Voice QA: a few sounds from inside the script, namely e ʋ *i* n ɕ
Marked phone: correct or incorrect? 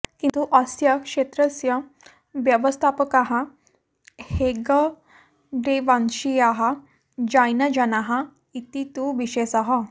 incorrect: a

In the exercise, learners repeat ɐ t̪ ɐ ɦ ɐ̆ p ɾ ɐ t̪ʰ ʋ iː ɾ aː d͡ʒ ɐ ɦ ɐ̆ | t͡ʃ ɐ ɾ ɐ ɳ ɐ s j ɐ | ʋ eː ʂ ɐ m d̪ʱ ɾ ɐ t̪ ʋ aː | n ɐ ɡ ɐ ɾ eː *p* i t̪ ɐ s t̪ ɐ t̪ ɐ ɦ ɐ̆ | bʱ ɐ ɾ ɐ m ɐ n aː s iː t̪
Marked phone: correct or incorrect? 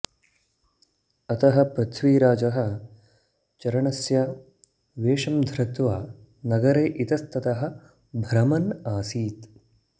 incorrect: ʔ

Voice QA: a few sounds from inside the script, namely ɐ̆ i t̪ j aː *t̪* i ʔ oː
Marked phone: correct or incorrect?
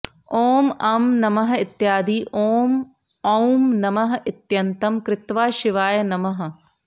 incorrect: d̪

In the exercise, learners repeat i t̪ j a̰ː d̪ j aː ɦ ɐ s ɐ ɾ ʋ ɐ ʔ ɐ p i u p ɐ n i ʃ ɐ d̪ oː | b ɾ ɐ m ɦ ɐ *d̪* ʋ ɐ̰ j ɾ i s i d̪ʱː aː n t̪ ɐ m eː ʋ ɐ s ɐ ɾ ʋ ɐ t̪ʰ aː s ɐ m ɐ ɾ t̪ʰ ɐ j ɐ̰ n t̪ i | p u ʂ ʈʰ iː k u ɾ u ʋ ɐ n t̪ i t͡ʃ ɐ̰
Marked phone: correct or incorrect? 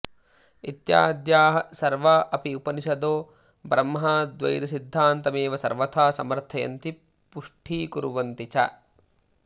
correct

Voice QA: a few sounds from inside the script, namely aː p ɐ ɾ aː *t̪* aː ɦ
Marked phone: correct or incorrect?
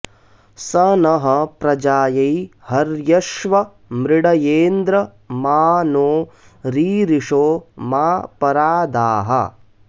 incorrect: d̪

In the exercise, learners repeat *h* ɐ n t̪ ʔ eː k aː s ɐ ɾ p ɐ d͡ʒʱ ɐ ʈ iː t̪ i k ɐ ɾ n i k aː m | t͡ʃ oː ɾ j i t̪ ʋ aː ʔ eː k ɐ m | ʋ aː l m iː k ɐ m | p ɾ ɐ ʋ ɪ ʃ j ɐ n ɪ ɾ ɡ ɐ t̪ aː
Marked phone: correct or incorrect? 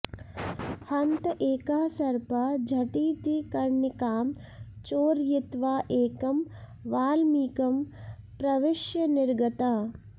correct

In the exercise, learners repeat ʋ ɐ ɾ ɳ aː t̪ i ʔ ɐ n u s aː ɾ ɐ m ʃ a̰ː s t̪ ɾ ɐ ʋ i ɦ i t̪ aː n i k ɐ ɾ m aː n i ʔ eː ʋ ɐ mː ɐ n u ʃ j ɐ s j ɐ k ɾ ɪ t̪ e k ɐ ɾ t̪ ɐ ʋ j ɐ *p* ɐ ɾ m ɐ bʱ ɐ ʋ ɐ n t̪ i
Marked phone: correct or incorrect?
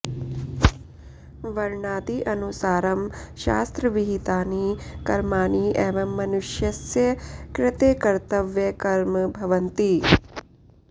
incorrect: k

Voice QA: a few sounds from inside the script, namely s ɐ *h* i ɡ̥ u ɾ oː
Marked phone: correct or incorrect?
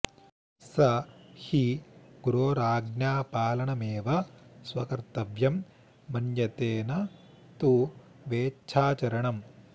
correct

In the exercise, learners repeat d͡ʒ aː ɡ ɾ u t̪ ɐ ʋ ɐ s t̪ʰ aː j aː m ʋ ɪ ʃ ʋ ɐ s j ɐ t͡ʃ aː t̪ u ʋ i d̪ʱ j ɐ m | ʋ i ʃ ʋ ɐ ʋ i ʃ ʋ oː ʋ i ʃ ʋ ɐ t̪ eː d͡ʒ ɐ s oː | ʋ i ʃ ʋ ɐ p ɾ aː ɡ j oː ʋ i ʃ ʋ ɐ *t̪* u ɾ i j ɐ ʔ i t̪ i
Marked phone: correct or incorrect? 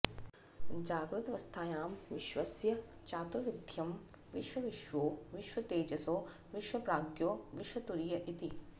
correct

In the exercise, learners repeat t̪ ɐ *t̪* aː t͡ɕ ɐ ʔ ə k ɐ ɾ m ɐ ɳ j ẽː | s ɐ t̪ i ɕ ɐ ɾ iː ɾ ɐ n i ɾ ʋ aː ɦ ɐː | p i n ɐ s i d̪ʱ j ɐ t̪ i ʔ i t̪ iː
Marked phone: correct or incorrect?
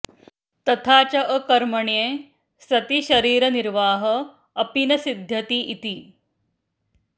incorrect: t̪ʰ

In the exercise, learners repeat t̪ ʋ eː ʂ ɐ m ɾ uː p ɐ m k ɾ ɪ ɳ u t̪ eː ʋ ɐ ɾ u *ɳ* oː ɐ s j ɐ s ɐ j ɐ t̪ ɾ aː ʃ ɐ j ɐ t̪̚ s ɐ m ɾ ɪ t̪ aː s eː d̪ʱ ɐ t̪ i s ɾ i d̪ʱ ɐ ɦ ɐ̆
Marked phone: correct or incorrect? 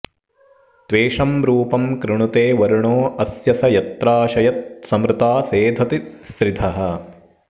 correct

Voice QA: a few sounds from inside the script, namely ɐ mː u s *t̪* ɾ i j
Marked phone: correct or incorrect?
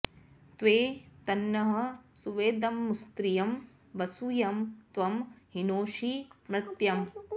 correct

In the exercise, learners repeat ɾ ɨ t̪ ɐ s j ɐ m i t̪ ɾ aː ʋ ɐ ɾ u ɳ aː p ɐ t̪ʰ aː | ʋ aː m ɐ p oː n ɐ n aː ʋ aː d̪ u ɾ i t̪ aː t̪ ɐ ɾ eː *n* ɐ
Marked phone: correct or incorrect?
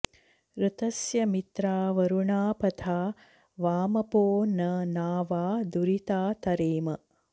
incorrect: m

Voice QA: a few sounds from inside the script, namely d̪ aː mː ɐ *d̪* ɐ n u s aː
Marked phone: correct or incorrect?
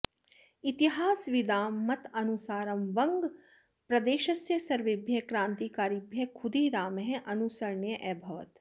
incorrect: t̪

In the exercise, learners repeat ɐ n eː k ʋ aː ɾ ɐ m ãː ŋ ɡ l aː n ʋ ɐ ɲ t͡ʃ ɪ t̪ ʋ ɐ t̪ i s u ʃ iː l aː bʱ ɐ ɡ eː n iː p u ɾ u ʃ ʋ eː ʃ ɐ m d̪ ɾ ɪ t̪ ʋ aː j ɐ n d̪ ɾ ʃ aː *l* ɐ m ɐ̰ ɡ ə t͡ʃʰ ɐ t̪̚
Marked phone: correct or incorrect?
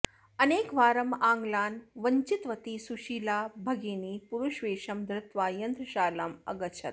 correct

